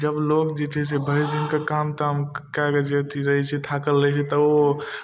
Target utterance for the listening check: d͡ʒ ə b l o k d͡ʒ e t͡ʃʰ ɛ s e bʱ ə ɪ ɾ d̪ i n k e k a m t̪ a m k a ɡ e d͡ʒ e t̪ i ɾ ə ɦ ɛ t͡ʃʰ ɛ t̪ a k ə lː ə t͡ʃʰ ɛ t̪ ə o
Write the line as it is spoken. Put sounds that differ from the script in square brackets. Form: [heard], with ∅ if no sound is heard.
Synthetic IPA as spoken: d͡ʒ ə b l o k d͡ʒ e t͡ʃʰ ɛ s e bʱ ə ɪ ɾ d̪ i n k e k a m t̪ a m k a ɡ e d͡ʒ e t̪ i ɾ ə ɦ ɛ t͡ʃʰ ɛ [t̪ʰ] a k ə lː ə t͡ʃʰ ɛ t̪ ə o

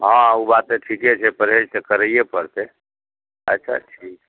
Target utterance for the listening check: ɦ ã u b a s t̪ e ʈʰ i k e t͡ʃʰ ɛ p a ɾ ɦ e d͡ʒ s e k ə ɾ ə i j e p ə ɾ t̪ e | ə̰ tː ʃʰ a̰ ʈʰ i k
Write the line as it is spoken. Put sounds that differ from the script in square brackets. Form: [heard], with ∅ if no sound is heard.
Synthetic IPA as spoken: ɦ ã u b a [∅] t̪ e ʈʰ i k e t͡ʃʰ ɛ p [ə] ɾ ɦ e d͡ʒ s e k ə ɾ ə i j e p ə ɾ t̪ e | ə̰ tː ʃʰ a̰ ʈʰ i k

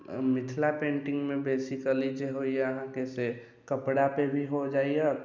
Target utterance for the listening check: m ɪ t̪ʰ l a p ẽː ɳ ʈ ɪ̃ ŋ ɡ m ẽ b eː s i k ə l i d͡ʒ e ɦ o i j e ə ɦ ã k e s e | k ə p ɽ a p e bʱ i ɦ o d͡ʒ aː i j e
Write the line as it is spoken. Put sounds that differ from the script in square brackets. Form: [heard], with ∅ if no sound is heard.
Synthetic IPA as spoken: m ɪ t̪ʰ l a p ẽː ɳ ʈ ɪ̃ ŋ ɡ m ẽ b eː s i k ə l i d͡ʒ e ɦ o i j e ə ɦ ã k e s e | k ə p ɽ a p e bʱ i ɦ o d͡ʒ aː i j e

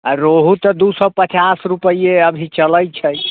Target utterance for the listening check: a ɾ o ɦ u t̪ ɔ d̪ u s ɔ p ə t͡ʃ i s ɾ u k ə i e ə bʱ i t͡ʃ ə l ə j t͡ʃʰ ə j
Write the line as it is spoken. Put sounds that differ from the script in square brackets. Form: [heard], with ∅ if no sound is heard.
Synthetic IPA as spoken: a ɾ o ɦ u t̪ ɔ d̪ u s ɔ p ə t͡ʃ [a] s ɾ u [p] ə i e ə bʱ i t͡ʃ ə l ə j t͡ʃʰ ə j

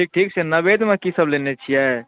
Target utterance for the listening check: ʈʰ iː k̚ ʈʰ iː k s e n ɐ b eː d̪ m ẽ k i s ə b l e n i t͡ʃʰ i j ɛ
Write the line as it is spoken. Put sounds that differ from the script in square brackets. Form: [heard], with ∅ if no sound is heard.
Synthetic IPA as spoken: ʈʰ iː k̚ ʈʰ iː k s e n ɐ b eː d̪ m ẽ k i s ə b l e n [e] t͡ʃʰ i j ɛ

